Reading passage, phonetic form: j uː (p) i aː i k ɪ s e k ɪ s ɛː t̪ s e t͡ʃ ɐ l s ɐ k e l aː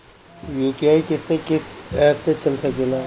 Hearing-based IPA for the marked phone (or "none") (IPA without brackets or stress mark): k